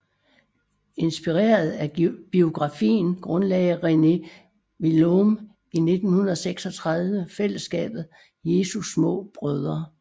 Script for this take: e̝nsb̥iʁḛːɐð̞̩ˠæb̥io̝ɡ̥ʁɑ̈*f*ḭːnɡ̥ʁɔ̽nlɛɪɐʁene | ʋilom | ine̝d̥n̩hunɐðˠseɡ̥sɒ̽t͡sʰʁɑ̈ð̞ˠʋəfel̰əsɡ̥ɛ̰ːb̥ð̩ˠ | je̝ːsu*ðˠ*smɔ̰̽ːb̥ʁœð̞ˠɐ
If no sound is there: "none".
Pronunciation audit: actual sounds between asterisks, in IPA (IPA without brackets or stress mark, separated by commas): f, none